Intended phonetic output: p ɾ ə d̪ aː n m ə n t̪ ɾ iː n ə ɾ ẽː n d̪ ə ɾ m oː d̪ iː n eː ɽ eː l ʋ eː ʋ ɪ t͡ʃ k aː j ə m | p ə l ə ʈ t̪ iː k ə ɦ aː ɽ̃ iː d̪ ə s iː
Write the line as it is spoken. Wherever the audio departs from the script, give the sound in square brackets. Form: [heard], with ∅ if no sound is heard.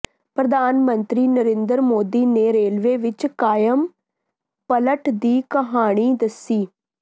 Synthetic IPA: p ɾ ə d̪ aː n m ə n t̪ ɾ iː n ə ɾ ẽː n d̪ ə ɾ m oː d̪ iː n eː [ɾ] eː l ʋ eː ʋ ɪ t͡ʃ k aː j ə m | p ə l ə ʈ [d̪] iː k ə ɦ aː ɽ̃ iː d̪ ə s iː